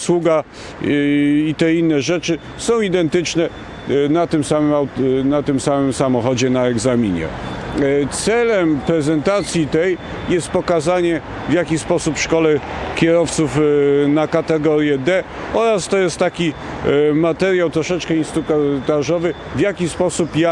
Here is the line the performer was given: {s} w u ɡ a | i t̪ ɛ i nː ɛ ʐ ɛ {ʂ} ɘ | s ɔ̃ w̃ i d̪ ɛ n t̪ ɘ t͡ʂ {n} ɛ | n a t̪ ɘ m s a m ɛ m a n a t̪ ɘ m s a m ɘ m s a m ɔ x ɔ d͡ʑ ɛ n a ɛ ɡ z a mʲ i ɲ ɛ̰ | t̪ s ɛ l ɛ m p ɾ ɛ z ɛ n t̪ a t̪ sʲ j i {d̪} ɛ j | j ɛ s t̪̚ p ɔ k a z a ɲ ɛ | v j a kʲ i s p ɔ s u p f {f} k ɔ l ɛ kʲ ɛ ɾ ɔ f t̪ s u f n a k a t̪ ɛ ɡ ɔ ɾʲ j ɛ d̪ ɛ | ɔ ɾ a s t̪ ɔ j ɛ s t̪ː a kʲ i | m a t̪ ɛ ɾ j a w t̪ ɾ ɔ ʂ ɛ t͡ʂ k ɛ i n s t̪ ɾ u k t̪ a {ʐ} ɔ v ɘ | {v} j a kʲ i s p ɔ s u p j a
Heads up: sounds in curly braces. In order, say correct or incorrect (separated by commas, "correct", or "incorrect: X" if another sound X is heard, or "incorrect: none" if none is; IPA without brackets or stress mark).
correct, incorrect: t͡ʂ, correct, incorrect: t̪, incorrect: ʂ, correct, correct